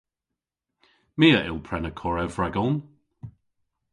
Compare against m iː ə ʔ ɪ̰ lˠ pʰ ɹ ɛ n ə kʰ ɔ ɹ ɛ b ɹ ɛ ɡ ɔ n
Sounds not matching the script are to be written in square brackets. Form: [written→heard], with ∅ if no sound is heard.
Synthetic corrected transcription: m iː ə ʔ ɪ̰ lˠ pʰ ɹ ɛ n ə kʰ ɔ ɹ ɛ [b→v] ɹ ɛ ɡ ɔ n